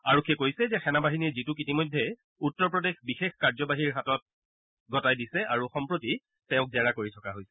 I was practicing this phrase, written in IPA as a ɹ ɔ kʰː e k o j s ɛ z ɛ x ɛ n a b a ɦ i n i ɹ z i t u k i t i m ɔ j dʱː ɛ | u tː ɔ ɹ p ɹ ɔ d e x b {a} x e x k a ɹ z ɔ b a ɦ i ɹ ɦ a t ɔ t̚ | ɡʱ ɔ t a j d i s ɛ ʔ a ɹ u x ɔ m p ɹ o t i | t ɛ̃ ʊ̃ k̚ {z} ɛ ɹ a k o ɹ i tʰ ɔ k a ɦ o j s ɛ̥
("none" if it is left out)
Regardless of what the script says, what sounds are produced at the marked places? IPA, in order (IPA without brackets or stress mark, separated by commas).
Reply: i, z